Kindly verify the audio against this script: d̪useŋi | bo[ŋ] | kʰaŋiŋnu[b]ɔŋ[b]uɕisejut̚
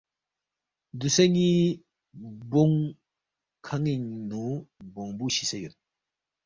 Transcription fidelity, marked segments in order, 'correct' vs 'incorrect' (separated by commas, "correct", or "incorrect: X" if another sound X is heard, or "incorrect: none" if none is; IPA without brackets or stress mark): correct, correct, correct